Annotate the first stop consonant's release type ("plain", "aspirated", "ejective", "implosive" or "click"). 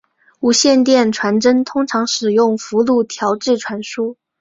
plain